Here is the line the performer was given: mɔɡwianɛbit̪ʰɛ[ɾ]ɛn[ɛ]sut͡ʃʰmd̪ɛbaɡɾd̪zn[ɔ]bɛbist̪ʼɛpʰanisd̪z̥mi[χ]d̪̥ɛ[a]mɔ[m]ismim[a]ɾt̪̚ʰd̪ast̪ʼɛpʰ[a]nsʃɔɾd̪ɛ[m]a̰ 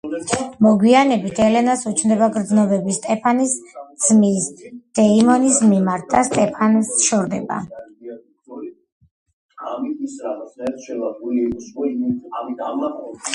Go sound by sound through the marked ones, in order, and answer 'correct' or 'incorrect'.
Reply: incorrect: l, incorrect: a, correct, incorrect: s, incorrect: i, incorrect: n, correct, correct, incorrect: b

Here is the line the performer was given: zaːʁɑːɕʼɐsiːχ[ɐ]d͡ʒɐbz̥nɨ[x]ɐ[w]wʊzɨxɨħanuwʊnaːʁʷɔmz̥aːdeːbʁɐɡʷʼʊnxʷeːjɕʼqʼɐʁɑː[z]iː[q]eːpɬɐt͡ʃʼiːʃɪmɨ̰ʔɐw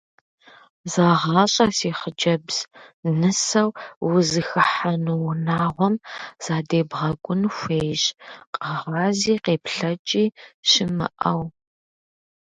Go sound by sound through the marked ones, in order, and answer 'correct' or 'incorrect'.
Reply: incorrect: ə, incorrect: s, correct, correct, correct

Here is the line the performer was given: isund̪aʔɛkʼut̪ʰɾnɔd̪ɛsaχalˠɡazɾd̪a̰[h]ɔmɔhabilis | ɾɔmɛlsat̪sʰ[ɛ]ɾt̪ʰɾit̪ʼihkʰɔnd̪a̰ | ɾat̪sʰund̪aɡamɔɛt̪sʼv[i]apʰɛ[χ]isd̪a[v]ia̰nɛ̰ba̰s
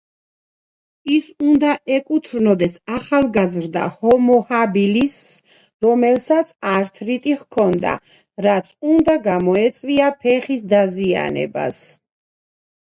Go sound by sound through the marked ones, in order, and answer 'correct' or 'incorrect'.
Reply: correct, incorrect: a, correct, correct, incorrect: z

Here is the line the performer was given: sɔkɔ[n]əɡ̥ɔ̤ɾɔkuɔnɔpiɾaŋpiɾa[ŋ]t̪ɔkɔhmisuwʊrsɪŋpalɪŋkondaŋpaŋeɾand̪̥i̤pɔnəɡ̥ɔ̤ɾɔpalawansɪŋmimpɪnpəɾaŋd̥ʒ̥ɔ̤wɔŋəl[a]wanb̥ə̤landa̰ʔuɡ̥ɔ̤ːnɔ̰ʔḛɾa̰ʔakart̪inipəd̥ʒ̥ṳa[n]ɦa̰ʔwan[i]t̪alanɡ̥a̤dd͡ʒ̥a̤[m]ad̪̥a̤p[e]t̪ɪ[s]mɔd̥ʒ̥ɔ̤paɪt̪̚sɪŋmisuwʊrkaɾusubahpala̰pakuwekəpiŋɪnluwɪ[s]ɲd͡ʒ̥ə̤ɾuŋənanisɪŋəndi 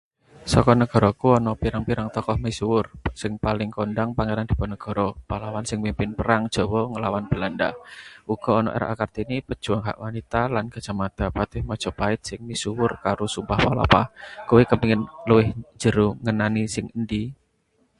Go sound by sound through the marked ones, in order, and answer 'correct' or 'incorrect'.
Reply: correct, correct, correct, incorrect: ŋ, correct, correct, incorrect: a, incorrect: h, incorrect: h

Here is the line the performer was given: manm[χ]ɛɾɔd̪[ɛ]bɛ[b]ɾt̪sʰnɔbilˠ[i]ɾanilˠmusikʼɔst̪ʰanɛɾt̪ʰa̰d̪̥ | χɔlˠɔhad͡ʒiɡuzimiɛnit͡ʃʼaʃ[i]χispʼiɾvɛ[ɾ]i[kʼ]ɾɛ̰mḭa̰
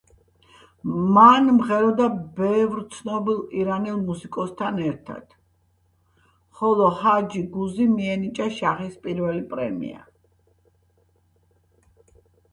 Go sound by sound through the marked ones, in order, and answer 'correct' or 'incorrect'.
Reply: incorrect: ʁ, incorrect: a, incorrect: v, correct, incorrect: a, incorrect: l, incorrect: pʼ

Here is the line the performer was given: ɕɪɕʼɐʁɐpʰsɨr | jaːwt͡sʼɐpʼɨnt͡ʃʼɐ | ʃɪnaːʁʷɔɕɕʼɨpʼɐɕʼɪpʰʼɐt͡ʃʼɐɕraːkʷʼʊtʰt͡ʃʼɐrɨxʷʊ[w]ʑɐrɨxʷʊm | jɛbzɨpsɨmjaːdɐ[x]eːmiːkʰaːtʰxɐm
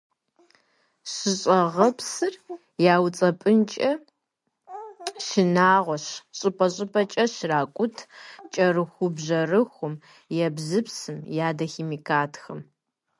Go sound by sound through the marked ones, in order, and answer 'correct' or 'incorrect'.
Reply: incorrect: b, correct

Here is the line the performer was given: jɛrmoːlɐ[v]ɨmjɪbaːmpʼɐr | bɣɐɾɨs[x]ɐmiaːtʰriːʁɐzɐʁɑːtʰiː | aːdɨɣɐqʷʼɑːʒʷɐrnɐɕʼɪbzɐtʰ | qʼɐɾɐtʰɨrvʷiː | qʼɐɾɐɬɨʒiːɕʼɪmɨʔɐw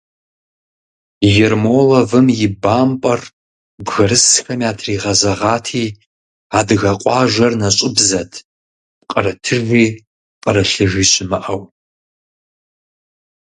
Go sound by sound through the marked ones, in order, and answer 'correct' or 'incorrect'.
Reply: correct, correct

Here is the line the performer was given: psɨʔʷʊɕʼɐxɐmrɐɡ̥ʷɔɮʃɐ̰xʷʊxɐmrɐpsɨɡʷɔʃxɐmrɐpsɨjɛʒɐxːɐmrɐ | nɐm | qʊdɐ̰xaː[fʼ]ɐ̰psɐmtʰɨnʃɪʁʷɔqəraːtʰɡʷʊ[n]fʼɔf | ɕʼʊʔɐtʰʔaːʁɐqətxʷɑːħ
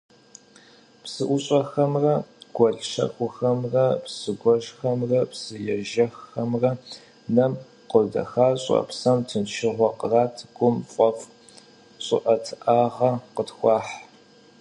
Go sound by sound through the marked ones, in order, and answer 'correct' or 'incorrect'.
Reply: incorrect: ɕʼ, incorrect: m

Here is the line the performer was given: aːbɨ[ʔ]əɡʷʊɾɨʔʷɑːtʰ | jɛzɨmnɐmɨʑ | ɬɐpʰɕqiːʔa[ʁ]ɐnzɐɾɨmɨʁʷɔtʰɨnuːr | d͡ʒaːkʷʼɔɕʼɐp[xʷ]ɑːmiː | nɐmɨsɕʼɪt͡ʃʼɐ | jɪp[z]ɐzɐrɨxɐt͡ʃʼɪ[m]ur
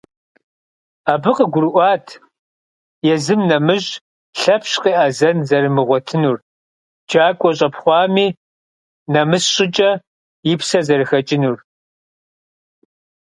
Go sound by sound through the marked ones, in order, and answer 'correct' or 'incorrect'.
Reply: incorrect: q, incorrect: z, incorrect: χʷ, incorrect: s, incorrect: n

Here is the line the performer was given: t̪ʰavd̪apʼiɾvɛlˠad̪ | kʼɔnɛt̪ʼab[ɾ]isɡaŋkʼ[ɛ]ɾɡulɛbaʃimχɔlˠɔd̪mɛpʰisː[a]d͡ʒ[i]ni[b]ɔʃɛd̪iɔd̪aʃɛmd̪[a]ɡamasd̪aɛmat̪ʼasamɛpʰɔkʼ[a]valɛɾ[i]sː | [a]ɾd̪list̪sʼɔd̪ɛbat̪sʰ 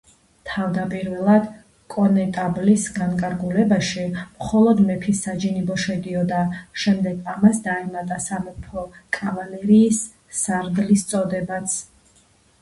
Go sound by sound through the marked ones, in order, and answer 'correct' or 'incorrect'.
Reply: incorrect: l, incorrect: a, correct, correct, correct, incorrect: ɛ, correct, incorrect: iː, correct

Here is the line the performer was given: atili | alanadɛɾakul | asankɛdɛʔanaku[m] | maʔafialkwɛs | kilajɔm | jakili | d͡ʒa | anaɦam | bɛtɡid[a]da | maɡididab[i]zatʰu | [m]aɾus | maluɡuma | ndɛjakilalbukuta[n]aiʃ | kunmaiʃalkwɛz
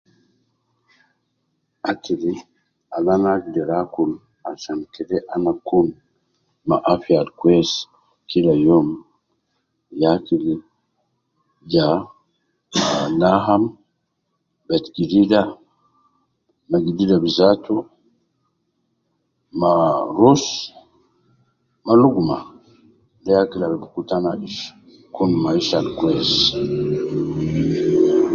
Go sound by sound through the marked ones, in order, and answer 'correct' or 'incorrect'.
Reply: incorrect: n, incorrect: i, correct, correct, correct

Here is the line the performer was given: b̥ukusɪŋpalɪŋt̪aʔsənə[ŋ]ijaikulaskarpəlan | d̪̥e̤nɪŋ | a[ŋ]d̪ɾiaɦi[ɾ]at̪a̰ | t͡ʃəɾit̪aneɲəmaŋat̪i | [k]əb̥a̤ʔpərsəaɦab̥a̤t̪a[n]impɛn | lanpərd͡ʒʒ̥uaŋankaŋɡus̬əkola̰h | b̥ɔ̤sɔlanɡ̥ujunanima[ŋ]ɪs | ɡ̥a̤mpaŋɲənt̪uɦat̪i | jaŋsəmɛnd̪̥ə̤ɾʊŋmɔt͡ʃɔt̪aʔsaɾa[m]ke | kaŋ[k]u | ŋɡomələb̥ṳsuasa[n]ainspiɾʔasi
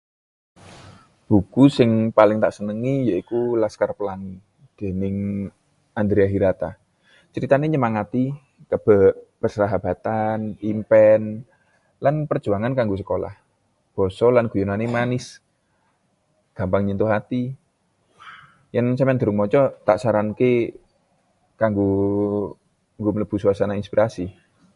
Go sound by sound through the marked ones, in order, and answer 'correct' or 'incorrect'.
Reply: correct, incorrect: n, correct, correct, correct, incorrect: n, incorrect: n, incorrect: ɡ, correct

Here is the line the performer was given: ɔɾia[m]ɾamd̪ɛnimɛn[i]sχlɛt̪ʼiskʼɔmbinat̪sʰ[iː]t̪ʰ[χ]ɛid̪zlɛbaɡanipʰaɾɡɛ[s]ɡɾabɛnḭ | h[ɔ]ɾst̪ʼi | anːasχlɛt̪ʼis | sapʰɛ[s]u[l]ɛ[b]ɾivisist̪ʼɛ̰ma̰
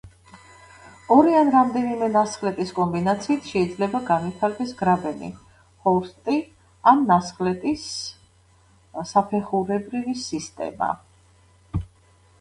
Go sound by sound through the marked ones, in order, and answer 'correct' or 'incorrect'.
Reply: incorrect: n, incorrect: a, correct, incorrect: ʃ, correct, correct, incorrect: χ, incorrect: ɾ, correct

